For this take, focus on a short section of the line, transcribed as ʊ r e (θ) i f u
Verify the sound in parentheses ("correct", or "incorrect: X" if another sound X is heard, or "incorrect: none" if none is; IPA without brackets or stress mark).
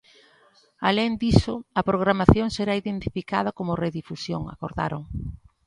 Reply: incorrect: ð